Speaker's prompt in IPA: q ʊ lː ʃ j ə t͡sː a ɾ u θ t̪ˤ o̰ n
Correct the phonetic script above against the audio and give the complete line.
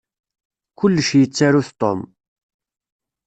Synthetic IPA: k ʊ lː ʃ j ə t͡sː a ɾ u θ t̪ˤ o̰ m